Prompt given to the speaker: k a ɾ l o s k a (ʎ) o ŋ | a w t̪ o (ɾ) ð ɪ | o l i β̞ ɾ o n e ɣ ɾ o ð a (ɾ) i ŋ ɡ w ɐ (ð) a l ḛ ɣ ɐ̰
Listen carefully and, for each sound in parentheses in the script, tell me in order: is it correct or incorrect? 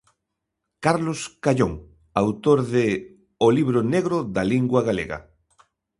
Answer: correct, correct, incorrect, incorrect

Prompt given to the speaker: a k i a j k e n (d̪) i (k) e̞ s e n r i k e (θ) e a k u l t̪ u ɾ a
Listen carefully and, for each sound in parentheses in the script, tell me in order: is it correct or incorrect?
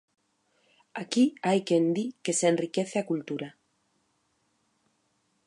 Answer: correct, correct, correct

